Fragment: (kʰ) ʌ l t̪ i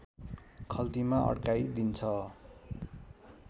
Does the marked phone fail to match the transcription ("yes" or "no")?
no